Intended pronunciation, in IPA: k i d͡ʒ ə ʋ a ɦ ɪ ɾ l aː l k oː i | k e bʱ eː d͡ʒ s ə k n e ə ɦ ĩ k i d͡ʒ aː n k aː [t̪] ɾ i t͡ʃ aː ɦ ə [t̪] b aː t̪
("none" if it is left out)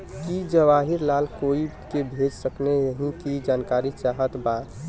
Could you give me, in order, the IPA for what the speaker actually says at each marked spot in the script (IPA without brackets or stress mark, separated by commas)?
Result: none, t̪